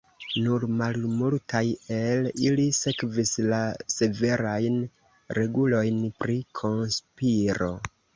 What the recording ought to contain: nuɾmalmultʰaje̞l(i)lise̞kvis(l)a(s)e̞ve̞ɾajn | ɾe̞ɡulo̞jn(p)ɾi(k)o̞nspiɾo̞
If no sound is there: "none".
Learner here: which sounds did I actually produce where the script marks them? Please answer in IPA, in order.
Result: i, l, s, p, kʰ

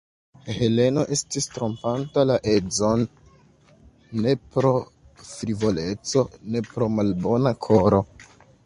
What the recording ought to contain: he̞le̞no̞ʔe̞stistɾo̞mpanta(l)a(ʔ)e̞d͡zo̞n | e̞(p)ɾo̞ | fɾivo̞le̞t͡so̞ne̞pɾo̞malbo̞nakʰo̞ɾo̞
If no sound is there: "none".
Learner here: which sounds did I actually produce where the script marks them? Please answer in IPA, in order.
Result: l, ʔ, p

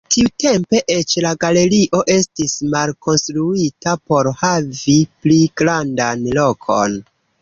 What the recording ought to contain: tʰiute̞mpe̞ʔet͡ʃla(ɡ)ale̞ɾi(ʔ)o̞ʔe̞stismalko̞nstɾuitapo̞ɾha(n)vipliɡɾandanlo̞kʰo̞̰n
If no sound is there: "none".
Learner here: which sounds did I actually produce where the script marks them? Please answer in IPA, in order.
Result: ɡ, ʔ, none

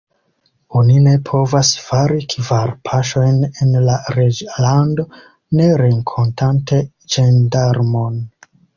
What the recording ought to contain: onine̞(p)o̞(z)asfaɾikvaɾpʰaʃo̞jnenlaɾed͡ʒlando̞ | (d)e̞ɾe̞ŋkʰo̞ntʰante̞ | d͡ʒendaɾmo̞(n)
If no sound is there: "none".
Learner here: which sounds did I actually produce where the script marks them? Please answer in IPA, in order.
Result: pʰ, v, n, n

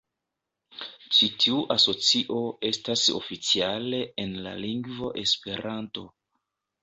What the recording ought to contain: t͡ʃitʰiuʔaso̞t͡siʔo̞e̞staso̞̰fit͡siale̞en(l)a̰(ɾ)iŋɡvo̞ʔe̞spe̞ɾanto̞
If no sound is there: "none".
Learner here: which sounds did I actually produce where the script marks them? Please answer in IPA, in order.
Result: l, l

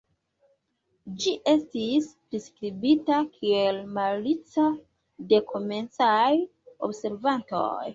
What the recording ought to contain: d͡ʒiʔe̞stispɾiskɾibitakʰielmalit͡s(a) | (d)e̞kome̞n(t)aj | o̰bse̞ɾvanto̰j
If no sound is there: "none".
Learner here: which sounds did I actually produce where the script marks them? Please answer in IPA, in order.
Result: a, d, t͡s

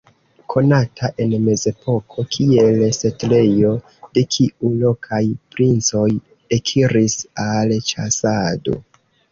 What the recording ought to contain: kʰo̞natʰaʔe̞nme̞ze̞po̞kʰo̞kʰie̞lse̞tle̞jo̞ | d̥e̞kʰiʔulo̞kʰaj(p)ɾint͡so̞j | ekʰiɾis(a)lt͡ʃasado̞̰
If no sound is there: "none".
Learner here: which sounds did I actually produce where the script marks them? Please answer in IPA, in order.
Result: p, a

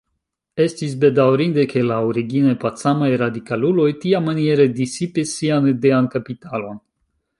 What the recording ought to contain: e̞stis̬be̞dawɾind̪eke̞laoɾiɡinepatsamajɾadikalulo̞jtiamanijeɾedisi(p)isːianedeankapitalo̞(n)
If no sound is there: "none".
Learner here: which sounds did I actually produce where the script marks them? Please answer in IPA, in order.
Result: p, n

